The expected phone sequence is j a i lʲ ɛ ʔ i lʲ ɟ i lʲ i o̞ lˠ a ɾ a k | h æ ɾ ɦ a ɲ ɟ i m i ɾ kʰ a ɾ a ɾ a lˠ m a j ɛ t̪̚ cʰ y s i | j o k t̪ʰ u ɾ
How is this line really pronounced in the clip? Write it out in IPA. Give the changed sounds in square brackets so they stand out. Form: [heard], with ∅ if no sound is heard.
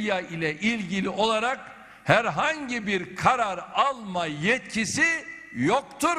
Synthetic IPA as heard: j a i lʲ ɛ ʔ i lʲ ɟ i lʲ i o̞ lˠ a ɾ a k | h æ ɾ ɦ a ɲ ɟ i [b] i ɾ kʰ a ɾ a ɾ a lˠ m a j ɛ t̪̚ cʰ [i] s i | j o k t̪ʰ u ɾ

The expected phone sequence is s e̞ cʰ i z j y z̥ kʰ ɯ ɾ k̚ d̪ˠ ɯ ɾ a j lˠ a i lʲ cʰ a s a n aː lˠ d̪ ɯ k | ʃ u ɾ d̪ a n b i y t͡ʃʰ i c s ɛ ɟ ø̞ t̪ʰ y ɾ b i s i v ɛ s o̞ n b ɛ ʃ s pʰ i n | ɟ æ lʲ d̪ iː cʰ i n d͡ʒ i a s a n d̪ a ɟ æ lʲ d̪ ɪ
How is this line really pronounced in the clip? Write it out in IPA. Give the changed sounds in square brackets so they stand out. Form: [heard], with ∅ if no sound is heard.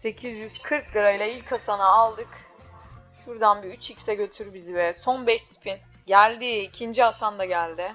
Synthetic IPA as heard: s e̞ cʰ i z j y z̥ kʰ ɯ ɾ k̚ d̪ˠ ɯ ɾ a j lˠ a i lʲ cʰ a s a n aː lˠ d̪ ɯ k | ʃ u ɾ d̪ a n b i y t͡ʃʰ i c s ɛ ɟ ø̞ t̪ʰ y ɾ b i [z] i v ɛ s o̞ n b ɛ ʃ s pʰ i n | ɟ æ lʲ d̪ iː cʰ i n d͡ʒ i a s a n d̪ a ɟ æ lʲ d̪ ɪ

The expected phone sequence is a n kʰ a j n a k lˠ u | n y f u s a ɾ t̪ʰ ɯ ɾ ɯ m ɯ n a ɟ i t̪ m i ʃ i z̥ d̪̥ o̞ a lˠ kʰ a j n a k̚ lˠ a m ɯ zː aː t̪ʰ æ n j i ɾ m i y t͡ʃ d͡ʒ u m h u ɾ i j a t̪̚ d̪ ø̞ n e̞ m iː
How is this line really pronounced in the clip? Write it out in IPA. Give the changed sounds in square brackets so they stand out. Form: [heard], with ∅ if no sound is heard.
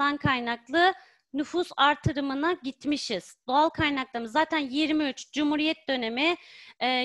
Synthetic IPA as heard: a n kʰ a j n a k lˠ [ɯ] | n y f u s a ɾ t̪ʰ ɯ ɾ ɯ m ɯ n a ɟ i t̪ m i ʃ i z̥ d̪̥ o̞ a lˠ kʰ a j n a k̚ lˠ a m ɯ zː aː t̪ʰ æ n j i ɾ m i y t͡ʃ d͡ʒ u m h u ɾ i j [ɛ] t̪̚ d̪ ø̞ n e̞ m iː

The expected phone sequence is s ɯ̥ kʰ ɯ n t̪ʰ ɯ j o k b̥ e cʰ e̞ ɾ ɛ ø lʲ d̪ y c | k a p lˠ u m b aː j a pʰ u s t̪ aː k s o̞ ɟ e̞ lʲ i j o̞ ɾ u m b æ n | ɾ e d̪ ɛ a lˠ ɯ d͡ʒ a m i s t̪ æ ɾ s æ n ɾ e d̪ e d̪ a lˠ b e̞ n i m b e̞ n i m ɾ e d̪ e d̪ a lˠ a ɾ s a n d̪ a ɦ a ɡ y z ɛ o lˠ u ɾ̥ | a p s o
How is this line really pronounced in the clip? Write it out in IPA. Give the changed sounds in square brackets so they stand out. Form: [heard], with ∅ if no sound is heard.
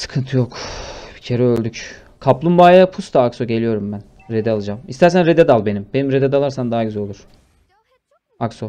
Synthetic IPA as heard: s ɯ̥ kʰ ɯ n t̪ʰ ɯ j o k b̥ [i] cʰ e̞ ɾ ɛ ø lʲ d̪ y c | [kʰ] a p lˠ u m b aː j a pʰ u s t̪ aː k s o̞ ɟ e̞ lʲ i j o̞ ɾ u m b æ n | ɾ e d̪ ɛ a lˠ ɯ d͡ʒ a m i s t̪ æ ɾ s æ n ɾ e d̪ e d̪ a lˠ b e̞ n i m b e̞ n i m ɾ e d̪ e d̪ a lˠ a ɾ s a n d̪ a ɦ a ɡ y z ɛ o lˠ u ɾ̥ | a [k] s o

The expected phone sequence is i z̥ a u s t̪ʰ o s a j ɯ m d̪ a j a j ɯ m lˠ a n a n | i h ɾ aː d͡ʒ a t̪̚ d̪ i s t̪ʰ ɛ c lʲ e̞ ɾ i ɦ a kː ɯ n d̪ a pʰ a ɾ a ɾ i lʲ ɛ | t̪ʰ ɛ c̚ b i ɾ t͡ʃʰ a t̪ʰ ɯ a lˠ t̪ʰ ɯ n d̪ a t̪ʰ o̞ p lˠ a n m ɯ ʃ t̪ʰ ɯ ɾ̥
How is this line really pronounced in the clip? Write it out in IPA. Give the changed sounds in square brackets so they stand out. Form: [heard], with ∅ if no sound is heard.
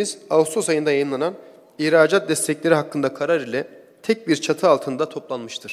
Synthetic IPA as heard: i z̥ a u s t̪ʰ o s a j ɯ [n] d̪ a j a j ɯ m lˠ a n a n | i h ɾ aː d͡ʒ a t̪̚ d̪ [ɛ] s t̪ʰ ɛ c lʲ e̞ ɾ i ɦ a kː ɯ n d̪ a [kʰ] a ɾ a ɾ i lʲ ɛ | t̪ʰ ɛ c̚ b i ɾ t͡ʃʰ a t̪ʰ ɯ a lˠ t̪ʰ ɯ n d̪ a t̪ʰ o̞ p lˠ a n m ɯ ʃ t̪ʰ ɯ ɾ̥

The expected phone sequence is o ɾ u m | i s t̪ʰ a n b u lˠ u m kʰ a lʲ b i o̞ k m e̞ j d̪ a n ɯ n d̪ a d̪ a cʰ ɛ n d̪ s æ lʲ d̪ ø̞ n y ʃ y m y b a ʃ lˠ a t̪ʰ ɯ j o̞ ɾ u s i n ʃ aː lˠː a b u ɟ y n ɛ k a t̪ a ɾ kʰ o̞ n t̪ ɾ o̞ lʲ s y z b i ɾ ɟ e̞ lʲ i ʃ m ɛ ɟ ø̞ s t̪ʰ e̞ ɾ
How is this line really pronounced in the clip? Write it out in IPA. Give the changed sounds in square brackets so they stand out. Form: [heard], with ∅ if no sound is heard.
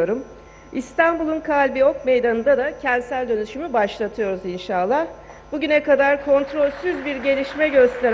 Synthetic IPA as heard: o ɾ u m | i s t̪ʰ a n b u lˠ u [n] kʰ a lʲ b i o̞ k m e̞ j d̪ a n ɯ n d̪ a d̪ a cʰ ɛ n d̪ s æ lʲ d̪ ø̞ n y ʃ y m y b a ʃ lˠ a t̪ʰ ɯ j o̞ ɾ u [z] i n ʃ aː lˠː a b u ɟ y n ɛ k a [d̪] a ɾ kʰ o̞ n t̪ ɾ o̞ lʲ s y z b i ɾ ɟ e̞ lʲ i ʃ m ɛ ɟ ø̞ s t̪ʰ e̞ ɾ

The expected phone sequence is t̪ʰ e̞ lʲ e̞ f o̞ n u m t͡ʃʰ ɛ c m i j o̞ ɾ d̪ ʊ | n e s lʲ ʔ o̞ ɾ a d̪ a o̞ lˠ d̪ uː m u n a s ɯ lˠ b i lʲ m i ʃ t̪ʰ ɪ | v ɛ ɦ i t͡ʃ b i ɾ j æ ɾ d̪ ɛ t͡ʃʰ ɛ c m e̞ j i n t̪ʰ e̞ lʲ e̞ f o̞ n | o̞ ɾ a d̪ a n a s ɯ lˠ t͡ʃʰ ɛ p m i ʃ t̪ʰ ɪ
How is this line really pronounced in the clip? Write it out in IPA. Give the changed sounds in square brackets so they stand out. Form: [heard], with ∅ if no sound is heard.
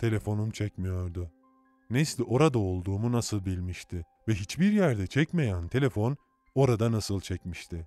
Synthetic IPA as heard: t̪ʰ e̞ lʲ e̞ f o̞ n u m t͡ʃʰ ɛ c m i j o̞ ɾ d̪ ʊ | n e s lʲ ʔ o̞ ɾ a d̪ a o̞ lˠ d̪ uː m u n a s ɯ lˠ b i lʲ m i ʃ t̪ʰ ɪ | v ɛ ɦ i t͡ʃ b i ɾ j æ ɾ d̪ ɛ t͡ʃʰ ɛ c m e̞ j [æ] n t̪ʰ e̞ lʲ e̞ f o̞ n | o̞ ɾ a d̪ a n a s ɯ lˠ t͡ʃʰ ɛ [c] m i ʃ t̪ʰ ɪ

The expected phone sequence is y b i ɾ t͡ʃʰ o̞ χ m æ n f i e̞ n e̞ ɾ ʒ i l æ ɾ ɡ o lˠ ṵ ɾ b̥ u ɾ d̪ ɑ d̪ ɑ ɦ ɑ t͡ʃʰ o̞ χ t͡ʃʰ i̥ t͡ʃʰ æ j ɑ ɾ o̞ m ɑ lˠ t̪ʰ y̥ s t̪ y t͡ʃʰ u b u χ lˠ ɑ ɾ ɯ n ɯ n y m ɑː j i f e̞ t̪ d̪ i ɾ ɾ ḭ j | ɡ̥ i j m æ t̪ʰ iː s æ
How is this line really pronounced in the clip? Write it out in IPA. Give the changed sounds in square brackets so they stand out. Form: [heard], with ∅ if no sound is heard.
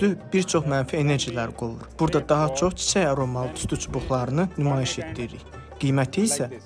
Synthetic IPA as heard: y b i ɾ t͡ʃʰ o̞ χ m æ n f i e̞ n e̞ ɾ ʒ i l æ ɾ ɡ o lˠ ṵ ɾ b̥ u ɾ d̪ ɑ d̪ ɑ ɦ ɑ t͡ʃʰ o̞ χ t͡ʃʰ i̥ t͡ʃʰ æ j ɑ ɾ o̞ m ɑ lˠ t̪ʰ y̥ s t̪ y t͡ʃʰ u b u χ lˠ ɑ ɾ ɯ n ɯ n y m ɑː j i [ʃ] e̞ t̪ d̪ i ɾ ɾ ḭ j | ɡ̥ i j m æ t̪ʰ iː s æ

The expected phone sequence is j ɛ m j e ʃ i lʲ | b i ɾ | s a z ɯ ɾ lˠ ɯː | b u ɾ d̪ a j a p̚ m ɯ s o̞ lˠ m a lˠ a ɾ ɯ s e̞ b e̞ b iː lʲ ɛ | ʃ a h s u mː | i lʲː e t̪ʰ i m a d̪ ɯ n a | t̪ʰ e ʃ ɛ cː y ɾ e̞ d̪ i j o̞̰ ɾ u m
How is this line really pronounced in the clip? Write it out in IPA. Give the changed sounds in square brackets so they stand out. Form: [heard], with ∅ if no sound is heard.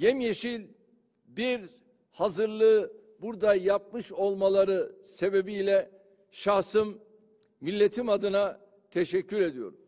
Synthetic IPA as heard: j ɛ m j e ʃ i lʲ | b i ɾ | [h] a z ɯ ɾ lˠ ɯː | b u ɾ d̪ a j a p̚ m ɯ [ʃ] o̞ lˠ m a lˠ a ɾ ɯ s e̞ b e̞ b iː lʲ ɛ | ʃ a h s [ɯ] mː | i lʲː e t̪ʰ i m a d̪ ɯ n a | t̪ʰ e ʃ ɛ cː y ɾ e̞ d̪ i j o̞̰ ɾ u m

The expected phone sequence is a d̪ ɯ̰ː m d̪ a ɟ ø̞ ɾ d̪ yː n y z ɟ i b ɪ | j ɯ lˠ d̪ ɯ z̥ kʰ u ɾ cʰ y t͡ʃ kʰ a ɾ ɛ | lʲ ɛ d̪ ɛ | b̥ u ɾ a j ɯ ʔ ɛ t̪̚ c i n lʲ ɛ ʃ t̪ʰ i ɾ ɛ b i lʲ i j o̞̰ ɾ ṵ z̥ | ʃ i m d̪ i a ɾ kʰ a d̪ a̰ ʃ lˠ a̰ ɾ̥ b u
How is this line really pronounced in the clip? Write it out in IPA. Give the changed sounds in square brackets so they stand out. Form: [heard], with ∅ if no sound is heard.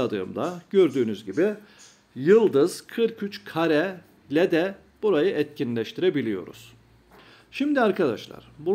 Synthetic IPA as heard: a d̪ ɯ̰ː m d̪ a ɟ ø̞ ɾ d̪ yː n y z ɟ i b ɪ | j ɯ lˠ d̪ ɯ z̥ kʰ [ɯ] ɾ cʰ y t͡ʃ kʰ a ɾ ɛ | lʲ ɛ d̪ ɛ | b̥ u ɾ a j ɯ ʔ ɛ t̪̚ c i n lʲ ɛ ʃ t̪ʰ i ɾ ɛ b i lʲ i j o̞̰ ɾ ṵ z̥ | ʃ i m d̪ i a ɾ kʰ a d̪ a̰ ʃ lˠ a̰ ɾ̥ b u

